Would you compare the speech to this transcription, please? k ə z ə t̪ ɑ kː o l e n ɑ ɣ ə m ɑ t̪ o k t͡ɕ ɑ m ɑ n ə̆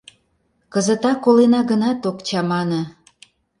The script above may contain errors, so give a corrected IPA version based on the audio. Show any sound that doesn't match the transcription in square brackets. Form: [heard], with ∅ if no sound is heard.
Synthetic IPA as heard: k ə z ə t̪ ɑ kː o l e n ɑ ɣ ə [n] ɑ t̪ o k t͡ɕ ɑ m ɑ n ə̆